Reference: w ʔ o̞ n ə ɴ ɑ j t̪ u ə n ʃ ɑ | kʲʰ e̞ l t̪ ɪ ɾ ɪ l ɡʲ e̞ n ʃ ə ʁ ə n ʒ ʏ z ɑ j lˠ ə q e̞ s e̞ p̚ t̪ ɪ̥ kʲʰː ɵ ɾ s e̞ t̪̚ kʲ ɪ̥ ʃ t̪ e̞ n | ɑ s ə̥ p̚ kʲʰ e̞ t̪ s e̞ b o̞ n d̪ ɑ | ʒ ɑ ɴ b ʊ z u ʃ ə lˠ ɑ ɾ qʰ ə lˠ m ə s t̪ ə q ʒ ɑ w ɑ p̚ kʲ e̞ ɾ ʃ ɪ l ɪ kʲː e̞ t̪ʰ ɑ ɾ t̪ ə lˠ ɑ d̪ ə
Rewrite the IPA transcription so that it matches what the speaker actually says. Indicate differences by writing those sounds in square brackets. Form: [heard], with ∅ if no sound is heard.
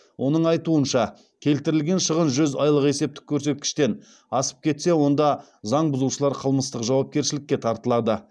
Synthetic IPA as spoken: w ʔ o̞ n ə ɴ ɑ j t̪ u ə n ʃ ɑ | kʲʰ e̞ l t̪ ɪ ɾ ɪ l ɡʲ e̞ n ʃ ə ʁ ə n ʒ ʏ z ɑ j lˠ ə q e̞ s e̞ p̚ t̪ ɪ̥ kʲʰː ɵ ɾ s e̞ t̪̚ kʲ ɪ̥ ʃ t̪ e̞ n | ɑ s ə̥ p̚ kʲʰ e̞ t̪ s e̞ [w] o̞ n d̪ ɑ | [z] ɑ ɴ b ʊ z u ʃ ə lˠ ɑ ɾ qʰ ə lˠ m ə s t̪ ə q ʒ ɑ w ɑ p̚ kʲ e̞ ɾ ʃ ɪ l ɪ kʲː e̞ t̪ʰ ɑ ɾ t̪ ə lˠ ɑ d̪ ə